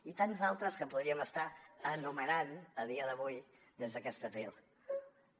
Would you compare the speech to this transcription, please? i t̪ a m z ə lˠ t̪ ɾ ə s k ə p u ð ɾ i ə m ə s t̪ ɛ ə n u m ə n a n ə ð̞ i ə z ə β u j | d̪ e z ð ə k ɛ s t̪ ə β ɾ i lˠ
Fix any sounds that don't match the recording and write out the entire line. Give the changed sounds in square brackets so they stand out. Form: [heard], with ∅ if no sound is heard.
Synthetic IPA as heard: i t̪ a [n] z [a] lˠ t̪ ɾ ə s k ə p u ð ɾ i ə m ə s t̪ [a] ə n u m ə n a n ə ð̞ i ə [ð] ə β u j | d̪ e z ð ə k ɛ s t̪ ə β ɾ i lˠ